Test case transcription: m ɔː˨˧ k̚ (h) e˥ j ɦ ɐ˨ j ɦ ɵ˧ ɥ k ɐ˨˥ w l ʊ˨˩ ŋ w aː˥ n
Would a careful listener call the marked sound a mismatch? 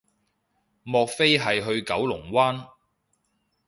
yes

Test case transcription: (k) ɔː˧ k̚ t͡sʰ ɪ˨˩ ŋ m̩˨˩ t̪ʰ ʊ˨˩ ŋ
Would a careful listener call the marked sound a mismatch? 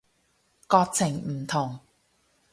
no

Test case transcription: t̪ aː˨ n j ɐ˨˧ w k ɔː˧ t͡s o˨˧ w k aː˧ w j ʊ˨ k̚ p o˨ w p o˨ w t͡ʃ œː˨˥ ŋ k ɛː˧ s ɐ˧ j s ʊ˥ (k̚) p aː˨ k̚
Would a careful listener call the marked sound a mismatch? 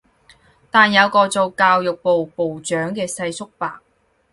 no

